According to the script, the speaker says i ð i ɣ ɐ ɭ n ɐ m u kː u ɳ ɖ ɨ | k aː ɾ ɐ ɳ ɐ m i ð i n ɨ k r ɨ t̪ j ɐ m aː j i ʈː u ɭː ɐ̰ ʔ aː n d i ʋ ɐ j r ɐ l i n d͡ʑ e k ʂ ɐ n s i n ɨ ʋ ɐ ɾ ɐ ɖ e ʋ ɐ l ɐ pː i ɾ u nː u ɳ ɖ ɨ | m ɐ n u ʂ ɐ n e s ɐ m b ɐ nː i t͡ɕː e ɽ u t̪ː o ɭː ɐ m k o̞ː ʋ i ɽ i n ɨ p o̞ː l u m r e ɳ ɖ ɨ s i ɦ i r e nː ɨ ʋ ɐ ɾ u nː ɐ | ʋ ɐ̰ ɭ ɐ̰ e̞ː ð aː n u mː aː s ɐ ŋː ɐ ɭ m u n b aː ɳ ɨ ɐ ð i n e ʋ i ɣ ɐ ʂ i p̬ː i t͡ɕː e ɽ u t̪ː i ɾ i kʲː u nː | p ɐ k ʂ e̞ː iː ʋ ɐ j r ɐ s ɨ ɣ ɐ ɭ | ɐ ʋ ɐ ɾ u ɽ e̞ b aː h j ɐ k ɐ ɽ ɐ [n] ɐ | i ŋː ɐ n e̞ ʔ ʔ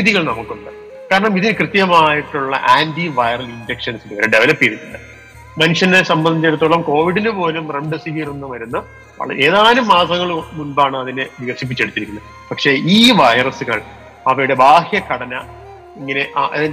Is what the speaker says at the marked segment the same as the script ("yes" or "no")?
yes